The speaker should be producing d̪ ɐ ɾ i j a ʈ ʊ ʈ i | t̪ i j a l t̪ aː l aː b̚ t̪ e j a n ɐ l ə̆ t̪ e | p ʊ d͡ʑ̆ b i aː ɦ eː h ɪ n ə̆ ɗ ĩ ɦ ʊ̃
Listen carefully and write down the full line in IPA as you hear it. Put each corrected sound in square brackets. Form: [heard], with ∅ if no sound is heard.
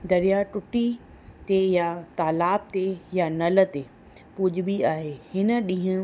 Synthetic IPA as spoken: d̪ ɐ ɾ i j a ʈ ʊ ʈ i | t̪ [e] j a [∅] t̪ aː l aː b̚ t̪ e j a n ɐ l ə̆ t̪ e | p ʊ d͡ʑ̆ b i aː ɦ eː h ɪ n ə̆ ɗ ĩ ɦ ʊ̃